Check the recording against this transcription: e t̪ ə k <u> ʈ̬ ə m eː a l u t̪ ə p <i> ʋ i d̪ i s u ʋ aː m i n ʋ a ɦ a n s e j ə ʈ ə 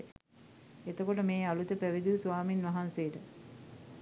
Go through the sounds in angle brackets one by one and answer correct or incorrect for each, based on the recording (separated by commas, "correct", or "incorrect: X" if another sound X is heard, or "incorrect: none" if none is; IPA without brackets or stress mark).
incorrect: o, incorrect: æ